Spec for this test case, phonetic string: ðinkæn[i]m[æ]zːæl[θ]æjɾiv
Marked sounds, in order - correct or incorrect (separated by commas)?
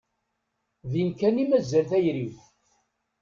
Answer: correct, correct, correct